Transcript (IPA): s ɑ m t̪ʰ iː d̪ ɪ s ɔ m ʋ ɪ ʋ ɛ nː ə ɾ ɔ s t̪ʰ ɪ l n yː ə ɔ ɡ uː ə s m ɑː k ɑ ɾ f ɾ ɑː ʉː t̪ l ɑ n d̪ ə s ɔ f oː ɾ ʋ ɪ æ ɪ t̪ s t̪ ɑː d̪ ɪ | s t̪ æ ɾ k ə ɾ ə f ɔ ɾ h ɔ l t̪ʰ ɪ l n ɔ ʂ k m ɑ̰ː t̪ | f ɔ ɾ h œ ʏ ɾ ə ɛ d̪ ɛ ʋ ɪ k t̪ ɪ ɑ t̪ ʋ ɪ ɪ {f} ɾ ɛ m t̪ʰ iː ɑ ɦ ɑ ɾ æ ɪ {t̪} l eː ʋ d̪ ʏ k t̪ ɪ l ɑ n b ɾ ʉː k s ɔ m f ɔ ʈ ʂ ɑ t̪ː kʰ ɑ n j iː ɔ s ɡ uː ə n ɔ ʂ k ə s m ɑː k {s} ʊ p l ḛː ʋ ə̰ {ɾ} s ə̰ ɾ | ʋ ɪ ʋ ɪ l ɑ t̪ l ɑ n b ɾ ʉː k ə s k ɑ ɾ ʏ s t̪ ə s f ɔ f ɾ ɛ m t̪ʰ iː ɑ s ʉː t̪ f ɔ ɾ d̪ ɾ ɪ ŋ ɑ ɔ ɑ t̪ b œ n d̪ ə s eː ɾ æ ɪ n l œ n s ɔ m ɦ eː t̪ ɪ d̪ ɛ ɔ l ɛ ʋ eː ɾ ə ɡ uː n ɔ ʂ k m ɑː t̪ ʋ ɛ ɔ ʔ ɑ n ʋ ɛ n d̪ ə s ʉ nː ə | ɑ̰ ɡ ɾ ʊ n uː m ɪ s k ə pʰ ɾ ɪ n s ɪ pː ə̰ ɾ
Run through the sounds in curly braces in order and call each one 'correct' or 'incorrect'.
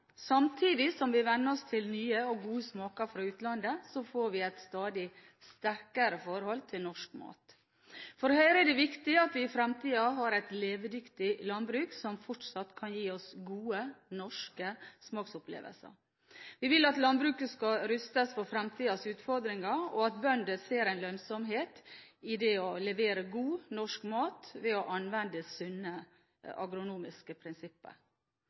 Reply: correct, correct, correct, incorrect: l

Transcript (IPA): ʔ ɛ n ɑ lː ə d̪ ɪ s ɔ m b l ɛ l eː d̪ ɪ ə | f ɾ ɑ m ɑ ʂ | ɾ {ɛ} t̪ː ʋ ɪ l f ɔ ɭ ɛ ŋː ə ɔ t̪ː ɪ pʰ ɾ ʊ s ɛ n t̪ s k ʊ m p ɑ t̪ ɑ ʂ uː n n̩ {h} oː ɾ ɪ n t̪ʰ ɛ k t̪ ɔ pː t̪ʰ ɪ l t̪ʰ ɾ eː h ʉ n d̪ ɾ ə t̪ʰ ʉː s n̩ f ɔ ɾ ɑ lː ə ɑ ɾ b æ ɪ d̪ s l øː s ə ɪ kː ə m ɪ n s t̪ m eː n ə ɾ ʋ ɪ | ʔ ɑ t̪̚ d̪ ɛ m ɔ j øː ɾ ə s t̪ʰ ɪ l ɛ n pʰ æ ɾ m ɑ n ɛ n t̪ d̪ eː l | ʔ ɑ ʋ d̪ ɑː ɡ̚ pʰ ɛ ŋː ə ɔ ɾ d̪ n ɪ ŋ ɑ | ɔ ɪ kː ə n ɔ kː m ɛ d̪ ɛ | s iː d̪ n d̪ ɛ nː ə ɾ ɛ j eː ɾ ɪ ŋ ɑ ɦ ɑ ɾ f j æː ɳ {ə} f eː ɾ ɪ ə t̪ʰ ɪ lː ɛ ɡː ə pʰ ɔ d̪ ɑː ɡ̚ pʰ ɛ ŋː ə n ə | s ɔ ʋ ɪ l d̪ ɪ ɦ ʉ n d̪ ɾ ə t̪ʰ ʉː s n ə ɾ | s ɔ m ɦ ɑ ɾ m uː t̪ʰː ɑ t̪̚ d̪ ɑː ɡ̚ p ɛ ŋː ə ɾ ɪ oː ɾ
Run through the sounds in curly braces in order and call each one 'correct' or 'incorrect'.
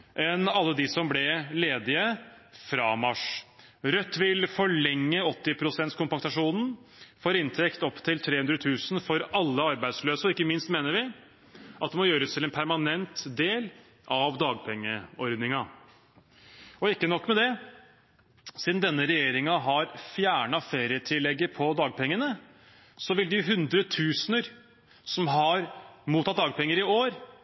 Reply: incorrect: œ, incorrect: f, incorrect: ɑ

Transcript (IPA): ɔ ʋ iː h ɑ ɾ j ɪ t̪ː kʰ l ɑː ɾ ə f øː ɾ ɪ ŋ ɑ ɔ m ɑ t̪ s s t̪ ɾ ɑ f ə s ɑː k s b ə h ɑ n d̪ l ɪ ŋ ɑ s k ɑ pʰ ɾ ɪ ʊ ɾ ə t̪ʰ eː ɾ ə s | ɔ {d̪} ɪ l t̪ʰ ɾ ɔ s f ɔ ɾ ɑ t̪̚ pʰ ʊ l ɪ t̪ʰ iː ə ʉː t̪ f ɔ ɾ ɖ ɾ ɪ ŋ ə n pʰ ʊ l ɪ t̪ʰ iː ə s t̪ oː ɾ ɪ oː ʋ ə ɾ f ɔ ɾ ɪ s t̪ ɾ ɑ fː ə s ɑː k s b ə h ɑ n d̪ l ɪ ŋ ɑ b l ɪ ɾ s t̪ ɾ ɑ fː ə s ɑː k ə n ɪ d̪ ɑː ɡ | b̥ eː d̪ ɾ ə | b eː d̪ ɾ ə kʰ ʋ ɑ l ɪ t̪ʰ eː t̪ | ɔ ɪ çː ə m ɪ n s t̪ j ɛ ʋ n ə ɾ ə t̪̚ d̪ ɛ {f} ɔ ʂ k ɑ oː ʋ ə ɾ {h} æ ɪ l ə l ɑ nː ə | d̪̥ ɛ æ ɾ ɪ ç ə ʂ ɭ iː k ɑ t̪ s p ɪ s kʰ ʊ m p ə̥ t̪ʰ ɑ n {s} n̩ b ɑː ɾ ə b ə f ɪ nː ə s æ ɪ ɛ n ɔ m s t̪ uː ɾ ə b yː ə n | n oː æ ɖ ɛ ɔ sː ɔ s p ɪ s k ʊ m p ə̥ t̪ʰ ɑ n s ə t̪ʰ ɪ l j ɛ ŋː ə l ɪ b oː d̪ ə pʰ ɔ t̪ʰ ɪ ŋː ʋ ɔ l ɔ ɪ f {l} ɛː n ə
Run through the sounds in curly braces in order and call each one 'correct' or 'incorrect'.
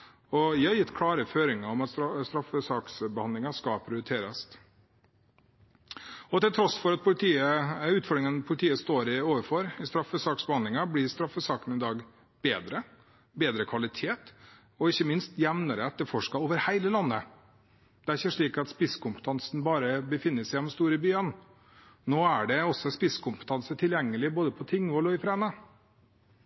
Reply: incorrect: t̪, correct, correct, correct, incorrect: ɾ

